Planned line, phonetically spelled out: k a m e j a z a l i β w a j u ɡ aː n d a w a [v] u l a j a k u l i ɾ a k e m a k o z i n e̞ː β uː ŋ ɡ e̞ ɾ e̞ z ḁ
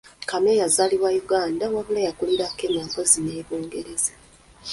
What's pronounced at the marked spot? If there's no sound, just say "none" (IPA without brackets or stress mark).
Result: β